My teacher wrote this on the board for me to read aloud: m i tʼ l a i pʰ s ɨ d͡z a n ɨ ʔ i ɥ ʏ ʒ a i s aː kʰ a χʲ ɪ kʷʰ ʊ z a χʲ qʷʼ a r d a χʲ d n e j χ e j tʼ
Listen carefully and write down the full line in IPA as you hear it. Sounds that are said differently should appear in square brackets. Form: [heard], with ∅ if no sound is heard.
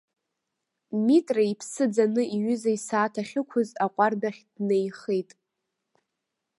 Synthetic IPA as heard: m i tʼ [r] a i pʰ s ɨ d͡z a n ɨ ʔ i ɥ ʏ [z] a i s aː [tʰ] a χʲ ɪ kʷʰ ʊ z a [∅] qʷʼ a r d a χʲ d n e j χ e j tʼ

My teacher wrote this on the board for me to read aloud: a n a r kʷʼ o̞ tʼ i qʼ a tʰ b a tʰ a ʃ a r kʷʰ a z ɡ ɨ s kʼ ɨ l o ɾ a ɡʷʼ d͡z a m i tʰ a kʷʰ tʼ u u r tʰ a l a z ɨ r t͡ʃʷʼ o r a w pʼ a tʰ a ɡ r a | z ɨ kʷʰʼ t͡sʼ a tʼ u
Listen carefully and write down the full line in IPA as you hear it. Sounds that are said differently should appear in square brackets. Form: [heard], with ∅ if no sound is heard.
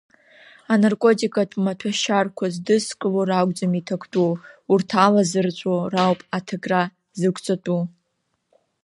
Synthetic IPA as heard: a n a r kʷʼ o̞ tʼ i [kʼ] a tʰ [m] a tʰ a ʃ a r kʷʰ a z [d] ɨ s kʼ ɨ l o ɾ a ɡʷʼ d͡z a m i tʰ a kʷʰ tʼ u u r tʰ a l a z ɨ r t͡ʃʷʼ o r a w pʼ a tʰ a ɡ r a | z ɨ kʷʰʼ t͡sʼ a tʼ u

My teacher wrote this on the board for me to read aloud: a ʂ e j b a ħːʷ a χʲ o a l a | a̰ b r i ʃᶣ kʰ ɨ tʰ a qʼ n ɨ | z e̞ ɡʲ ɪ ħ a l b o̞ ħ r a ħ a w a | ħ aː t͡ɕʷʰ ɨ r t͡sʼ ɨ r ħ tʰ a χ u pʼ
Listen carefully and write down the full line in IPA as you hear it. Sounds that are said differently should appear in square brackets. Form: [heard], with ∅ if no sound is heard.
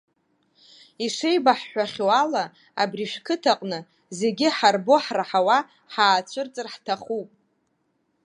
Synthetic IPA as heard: [i] ʂ e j b a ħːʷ a χʲ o a l a | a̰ b r i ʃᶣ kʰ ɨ tʰ a qʼ n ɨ | z e̞ ɡʲ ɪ ħ a [r] b o̞ ħ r a ħ a w a | ħ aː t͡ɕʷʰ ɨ r t͡sʼ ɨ r ħ tʰ a χ u pʼ

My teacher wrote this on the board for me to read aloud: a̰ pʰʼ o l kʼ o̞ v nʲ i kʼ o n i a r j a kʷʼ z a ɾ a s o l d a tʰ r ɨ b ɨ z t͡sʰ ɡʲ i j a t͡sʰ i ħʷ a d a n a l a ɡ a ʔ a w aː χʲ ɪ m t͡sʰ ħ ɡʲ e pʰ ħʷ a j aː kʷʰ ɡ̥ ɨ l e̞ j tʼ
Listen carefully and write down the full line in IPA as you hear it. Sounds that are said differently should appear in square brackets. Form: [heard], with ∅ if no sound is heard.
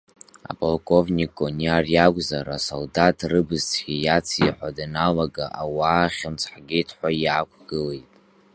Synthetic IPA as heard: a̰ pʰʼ o l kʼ o̞ v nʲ i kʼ o n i a r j a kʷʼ z a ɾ a s o l d a tʰ r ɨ b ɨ z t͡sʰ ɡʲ i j a t͡sʰ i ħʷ a d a n a l a ɡ a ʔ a w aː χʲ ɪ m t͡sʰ ħ ɡʲ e [tʰ] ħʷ a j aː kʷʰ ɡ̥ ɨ l e̞ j tʼ

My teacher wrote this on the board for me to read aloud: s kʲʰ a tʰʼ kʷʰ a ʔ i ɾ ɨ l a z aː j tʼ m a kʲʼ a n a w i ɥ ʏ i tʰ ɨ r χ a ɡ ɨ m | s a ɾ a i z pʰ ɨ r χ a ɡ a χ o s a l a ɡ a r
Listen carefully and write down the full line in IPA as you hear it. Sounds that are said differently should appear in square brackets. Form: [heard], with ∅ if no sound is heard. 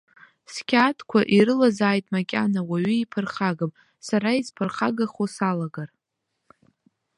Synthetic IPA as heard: s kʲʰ a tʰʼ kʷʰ a ʔ i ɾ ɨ l a z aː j tʼ m a kʲʼ a n a w [a] ɥ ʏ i [pʰ] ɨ r χ a ɡ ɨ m | s a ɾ a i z pʰ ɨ r χ a ɡ a χ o s a l a ɡ a r

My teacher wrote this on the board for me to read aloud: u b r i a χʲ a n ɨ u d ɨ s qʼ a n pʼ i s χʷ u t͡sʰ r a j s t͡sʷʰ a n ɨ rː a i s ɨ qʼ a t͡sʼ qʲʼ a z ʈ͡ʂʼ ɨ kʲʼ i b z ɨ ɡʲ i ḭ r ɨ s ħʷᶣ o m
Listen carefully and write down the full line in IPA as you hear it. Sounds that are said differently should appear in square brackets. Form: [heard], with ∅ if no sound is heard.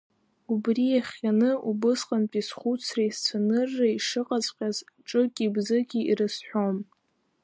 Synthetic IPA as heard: u b r i a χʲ a n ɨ u [b] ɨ s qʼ a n pʼ i s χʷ u t͡sʰ r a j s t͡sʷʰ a n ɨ rː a i [ʂ] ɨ qʼ a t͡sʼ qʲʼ a z ʈ͡ʂʼ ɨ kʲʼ i b z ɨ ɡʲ i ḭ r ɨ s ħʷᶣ o m

